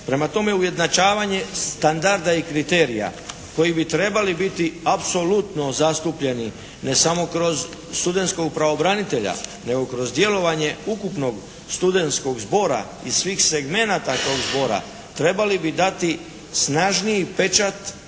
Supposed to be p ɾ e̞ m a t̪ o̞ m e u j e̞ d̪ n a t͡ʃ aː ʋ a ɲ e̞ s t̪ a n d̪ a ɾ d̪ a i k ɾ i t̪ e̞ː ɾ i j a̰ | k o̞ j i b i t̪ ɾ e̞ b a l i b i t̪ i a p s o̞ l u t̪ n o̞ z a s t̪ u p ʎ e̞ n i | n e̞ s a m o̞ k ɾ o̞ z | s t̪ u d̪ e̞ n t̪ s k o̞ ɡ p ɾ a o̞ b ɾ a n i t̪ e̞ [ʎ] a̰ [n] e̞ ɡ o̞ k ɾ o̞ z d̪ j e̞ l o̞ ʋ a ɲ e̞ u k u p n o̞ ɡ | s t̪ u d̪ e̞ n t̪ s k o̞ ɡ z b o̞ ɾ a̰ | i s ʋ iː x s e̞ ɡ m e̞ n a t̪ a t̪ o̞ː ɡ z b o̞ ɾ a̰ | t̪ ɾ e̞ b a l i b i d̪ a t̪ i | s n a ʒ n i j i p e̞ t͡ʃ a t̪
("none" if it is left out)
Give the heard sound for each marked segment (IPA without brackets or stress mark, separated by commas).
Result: ʎ, n